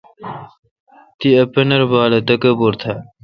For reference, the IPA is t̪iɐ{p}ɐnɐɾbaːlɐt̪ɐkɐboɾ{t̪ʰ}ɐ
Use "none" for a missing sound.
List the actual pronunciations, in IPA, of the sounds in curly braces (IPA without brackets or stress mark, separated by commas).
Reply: p, t̪ʰ